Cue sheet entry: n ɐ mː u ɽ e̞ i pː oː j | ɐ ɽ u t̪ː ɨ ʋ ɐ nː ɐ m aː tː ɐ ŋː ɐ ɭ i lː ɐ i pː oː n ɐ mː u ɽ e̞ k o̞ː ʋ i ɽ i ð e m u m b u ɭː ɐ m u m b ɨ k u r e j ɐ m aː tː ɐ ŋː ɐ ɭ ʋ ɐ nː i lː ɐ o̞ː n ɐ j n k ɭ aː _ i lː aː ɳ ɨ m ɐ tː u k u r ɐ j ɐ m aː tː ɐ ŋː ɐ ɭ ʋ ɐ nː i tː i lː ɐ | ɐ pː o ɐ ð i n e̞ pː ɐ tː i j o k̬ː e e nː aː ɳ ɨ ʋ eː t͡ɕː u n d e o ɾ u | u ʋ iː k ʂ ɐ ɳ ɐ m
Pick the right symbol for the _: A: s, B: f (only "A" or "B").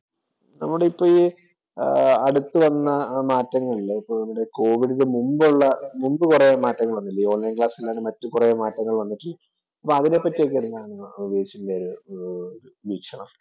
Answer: A